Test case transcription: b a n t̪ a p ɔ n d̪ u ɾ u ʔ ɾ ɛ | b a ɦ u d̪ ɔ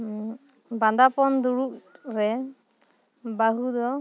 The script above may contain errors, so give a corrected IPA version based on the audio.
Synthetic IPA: b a n d̪ a p ɔ n d̪ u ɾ u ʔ ɾ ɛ | b a ɦ u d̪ ɔ